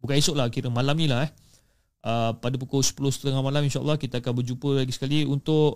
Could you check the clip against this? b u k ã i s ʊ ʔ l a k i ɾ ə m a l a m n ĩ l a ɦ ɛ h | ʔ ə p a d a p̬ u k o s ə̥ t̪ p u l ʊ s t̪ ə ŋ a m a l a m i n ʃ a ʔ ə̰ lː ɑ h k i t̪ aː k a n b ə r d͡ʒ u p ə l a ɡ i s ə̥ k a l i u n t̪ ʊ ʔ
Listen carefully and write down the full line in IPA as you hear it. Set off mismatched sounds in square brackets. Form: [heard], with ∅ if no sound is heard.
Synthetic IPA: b u k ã i s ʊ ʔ l a k i ɾ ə m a l a m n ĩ l a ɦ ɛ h | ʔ ə p a d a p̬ u k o s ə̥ [∅] p u l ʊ s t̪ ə ŋ a m a l a m i n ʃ a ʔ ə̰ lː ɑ h k i t̪ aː k a n b ə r d͡ʒ u p ə l a ɡ i s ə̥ k a l i u n t̪ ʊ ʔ